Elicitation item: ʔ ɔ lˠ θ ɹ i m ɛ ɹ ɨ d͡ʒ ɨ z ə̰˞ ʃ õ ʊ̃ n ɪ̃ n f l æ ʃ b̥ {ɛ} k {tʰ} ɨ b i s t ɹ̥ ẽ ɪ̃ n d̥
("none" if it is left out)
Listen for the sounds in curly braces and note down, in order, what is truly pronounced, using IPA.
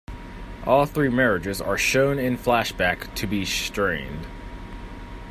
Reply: æ, tʰ

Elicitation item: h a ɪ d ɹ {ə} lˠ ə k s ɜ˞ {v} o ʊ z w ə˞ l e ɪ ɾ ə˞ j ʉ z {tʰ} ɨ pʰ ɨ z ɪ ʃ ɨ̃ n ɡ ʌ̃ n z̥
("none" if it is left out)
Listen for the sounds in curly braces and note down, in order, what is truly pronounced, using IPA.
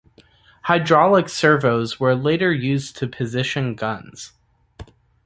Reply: ɑ, v, tʰ

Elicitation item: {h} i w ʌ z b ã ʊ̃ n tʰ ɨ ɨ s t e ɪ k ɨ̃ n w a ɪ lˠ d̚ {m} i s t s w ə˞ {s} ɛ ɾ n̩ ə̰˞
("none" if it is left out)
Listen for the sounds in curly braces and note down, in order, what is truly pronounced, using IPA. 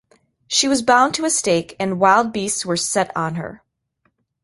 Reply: ʃ, b, s

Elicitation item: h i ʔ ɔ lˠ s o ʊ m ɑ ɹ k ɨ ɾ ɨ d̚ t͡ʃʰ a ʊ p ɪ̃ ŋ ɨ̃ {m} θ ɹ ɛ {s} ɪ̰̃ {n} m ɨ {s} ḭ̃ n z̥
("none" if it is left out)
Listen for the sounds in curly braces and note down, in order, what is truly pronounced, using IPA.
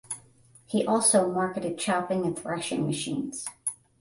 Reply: n, ʃ, ŋ, ʃ

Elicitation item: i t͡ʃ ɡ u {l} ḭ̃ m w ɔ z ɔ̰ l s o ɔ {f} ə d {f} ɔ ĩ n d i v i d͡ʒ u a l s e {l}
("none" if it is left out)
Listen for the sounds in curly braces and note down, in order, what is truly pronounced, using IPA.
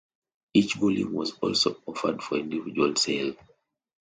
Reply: l, f, f, l

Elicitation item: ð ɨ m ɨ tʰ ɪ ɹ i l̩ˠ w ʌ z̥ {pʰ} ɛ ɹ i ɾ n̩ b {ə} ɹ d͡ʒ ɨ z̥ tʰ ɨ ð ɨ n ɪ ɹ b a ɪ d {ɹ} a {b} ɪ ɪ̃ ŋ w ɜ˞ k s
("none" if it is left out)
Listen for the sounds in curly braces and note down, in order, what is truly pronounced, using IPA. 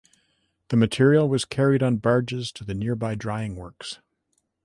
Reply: kʰ, ɑ, ɹ, none

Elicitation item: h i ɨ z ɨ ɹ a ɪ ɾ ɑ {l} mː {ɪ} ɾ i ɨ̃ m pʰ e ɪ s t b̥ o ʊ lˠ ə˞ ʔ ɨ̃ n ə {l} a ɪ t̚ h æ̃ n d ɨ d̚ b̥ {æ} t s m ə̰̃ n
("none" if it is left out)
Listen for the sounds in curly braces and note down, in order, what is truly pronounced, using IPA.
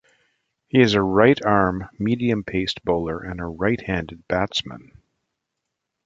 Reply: ɹ, i, ɹ, æ

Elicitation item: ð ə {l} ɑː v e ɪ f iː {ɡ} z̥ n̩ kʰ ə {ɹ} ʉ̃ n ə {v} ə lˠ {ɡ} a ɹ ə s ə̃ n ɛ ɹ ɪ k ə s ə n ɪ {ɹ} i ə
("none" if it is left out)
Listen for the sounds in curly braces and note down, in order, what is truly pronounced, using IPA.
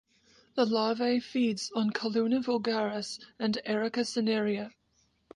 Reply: l, d, l, v, ɡ, ɹ

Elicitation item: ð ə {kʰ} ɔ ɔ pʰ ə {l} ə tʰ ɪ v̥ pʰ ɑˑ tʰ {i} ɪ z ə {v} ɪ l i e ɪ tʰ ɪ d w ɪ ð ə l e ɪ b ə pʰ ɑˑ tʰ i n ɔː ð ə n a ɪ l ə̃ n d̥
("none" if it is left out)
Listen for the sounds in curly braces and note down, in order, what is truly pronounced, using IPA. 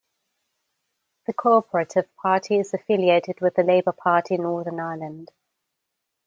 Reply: kʰ, ɹ, i, f

